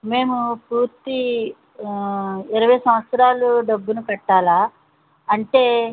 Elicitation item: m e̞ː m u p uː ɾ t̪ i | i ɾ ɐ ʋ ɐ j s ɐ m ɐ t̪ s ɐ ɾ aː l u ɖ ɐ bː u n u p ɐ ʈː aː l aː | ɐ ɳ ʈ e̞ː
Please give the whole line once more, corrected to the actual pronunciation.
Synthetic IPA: m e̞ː m u p uː ɾ t̪ i | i ɾ ɐ ʋ ɐ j s ɐ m ɐ t̪ s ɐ ɾ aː l u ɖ ɐ bː u n u k ɐ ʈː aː l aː | ɐ ɳ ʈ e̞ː

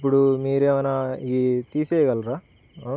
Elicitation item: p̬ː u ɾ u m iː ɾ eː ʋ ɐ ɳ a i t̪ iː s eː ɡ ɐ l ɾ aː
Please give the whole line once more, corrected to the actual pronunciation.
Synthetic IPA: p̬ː u ɽ u m iː ɾ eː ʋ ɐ n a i t̪ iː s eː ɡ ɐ l ɾ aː

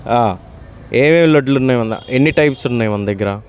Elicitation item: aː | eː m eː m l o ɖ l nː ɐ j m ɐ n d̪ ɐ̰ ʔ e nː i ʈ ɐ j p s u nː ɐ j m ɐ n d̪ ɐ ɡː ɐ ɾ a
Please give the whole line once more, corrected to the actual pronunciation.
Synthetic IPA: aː | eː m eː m l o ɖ l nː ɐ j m ɐ n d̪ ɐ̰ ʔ e nː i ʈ ɐ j p s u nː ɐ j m ɐ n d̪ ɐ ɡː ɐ ɾ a

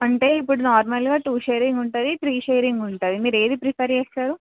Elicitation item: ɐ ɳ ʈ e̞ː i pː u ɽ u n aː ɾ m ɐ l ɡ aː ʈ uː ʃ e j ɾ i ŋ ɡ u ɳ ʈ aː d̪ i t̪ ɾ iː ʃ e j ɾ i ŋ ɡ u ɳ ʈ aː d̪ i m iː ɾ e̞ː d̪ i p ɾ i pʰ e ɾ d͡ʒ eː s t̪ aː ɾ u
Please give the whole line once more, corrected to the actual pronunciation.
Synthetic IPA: ɐ ɳ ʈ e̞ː i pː u ɽ u n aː ɾ m ɐ l ɡ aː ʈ uː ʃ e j ɾ i ŋ ɡ u ɳ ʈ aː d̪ i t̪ ɾ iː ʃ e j ɾ i ŋ ɡ u ɳ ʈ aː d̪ i m iː ɾ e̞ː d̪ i p ɾ i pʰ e ɾ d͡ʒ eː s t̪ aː ɾ u

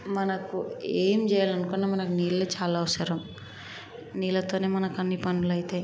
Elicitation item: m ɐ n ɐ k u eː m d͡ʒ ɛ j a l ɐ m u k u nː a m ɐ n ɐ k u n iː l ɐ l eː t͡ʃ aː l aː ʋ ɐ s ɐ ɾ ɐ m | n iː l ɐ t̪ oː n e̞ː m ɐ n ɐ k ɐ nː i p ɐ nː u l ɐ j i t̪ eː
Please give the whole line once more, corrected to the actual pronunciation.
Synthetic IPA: m ɐ n ɐ k u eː m d͡ʒ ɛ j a l ɐ n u k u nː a m ɐ n ɐ k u n iː l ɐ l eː t͡ʃ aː l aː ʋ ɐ s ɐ ɾ ɐ m | n iː l ɐ t̪ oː n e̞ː m ɐ n ɐ k ɐ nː i p ɐ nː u l ɐ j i t̪ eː

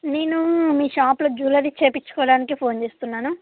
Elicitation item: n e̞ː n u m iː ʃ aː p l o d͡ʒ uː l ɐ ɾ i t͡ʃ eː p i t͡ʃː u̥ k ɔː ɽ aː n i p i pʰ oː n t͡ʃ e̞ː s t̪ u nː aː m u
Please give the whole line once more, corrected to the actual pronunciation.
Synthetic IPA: n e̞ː n u m iː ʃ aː p l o d͡ʒ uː l ɐ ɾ i t͡ʃ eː p i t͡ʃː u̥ k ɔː ɽ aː n i k i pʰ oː n t͡ʃ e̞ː s t̪ u nː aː n u

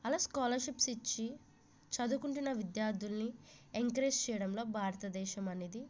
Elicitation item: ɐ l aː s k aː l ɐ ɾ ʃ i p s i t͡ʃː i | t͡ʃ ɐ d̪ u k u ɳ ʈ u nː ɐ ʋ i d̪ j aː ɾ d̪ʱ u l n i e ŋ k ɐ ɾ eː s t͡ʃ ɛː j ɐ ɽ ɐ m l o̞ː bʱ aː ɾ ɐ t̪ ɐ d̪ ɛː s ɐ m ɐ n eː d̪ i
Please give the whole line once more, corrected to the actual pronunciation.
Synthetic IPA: ɐ l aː s k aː l ɐ ɾ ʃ i p s i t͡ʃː i | t͡ʃ ɐ d̪ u k u ɳ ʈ u nː ɐ ʋ i d̪ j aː ɾ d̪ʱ u l n i e ŋ k ɐ ɾ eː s t͡ʃ ɛː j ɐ ɽ ɐ m l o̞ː bʱ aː ɾ ɐ t̪ ɐ d̪ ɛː ʃ ɐ m ɐ n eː d̪ i

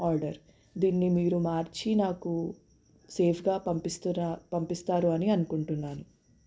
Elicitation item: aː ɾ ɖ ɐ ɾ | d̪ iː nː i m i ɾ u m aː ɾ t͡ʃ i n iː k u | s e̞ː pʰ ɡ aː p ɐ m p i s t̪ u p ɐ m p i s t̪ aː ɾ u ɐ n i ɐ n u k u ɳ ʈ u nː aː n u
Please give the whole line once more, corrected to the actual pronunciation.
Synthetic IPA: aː ɾ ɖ ɐ ɾ | d̪ iː nː i m iː ɾ u m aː ɾ t͡ʃ i n aː k u | s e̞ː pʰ ɡ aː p ɐ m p i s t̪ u p ɐ m p i s t̪ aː ɾ u ɐ n i ɐ n u k u ɳ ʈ u nː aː n u

